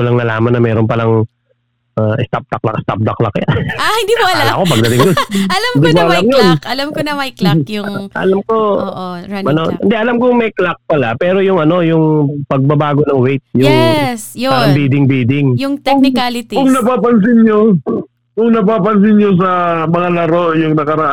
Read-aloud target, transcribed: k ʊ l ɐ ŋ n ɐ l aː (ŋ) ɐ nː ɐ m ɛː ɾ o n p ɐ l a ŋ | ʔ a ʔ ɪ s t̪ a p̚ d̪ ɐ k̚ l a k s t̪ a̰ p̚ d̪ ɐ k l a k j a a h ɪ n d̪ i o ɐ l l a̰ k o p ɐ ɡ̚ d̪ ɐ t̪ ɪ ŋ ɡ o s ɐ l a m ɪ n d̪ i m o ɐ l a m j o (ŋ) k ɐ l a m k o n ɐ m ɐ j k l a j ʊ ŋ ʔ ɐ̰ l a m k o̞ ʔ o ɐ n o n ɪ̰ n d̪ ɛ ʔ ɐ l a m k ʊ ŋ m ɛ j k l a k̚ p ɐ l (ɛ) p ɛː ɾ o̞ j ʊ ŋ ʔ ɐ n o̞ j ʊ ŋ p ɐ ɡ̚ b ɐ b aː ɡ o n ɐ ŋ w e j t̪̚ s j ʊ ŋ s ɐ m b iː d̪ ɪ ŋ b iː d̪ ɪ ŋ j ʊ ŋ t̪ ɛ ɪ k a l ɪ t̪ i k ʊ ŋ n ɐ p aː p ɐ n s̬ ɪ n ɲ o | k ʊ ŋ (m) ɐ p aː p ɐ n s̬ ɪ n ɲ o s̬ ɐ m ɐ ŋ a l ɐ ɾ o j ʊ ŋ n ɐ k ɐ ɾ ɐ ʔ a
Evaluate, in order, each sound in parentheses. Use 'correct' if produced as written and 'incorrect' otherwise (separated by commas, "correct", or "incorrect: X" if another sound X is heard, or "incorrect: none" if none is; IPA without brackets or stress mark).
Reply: incorrect: m, incorrect: n, incorrect: a, incorrect: n